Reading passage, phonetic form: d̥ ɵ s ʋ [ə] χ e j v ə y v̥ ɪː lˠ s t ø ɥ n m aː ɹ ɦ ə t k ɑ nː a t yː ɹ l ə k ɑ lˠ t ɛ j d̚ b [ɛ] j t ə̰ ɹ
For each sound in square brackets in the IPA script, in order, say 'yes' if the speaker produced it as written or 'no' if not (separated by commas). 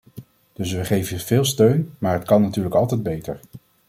yes, no